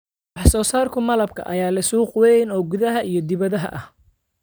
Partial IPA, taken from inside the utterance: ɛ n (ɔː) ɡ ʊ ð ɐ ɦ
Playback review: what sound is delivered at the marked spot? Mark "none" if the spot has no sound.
ɔː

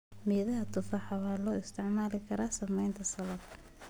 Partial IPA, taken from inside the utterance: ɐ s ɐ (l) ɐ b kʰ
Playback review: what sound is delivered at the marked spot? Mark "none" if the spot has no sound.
l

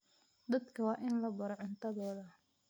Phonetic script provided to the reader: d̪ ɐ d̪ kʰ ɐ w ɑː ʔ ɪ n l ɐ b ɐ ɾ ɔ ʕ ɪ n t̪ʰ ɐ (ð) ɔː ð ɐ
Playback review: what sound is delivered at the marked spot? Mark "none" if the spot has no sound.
ð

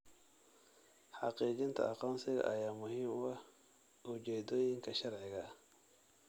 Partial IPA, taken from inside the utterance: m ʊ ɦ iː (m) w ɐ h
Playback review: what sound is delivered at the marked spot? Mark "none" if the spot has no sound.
m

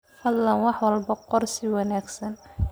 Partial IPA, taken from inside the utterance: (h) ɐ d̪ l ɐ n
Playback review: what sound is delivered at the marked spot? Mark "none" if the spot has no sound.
h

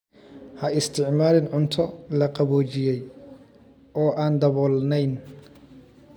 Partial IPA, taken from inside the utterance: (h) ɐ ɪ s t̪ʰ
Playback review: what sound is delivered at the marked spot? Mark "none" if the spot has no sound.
h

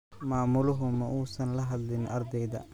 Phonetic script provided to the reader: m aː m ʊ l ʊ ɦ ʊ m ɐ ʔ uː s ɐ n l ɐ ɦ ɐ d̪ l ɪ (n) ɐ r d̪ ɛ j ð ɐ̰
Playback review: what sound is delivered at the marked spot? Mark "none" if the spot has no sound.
n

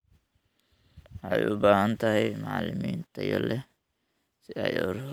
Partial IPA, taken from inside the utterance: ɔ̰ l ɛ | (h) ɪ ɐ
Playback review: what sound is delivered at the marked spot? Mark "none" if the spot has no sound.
s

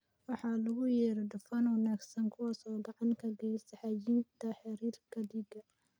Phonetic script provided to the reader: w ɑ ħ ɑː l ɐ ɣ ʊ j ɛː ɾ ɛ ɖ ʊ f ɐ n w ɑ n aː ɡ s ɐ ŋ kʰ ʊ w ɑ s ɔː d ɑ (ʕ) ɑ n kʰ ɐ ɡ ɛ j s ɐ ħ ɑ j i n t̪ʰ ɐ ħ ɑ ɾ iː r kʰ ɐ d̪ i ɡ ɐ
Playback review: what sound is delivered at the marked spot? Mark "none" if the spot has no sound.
ʕ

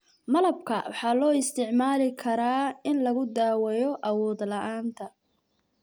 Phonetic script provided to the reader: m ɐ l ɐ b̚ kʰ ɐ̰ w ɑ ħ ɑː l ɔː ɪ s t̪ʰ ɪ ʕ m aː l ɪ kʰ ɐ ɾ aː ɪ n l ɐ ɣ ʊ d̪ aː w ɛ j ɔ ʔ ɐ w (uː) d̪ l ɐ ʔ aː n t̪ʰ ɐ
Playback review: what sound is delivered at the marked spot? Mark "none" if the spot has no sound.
ɔː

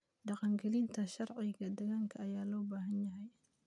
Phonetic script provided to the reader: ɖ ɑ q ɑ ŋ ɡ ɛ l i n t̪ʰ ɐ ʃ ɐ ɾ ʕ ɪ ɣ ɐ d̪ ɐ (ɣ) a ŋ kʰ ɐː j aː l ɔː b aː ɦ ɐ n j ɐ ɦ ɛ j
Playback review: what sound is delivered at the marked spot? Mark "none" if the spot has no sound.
ɣ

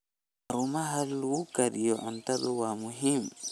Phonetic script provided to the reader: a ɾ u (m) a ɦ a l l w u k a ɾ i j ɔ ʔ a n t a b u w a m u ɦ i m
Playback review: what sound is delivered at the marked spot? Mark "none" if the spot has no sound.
m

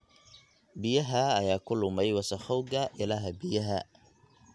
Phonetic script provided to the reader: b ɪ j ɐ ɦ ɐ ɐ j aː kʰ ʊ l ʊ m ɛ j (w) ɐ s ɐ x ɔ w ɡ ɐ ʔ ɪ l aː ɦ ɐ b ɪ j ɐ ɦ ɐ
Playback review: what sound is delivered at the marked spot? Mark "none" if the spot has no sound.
w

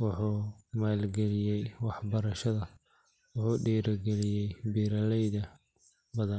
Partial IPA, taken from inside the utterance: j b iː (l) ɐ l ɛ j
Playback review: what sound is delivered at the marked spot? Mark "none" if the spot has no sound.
ɾ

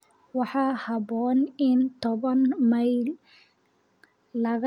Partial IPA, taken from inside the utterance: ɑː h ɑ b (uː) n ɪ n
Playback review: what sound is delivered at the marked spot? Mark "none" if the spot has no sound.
ɔː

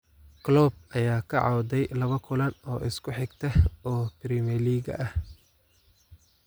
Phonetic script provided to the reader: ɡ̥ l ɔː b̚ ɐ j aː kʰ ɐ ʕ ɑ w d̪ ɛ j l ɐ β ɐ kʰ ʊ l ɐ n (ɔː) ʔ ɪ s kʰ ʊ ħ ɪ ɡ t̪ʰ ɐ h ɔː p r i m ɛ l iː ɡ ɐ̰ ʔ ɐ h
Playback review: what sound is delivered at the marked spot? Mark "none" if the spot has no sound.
ɔː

